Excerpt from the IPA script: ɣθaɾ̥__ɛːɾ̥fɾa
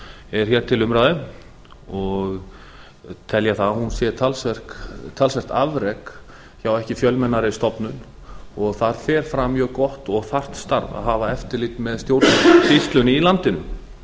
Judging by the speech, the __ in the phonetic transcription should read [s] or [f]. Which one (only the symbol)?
f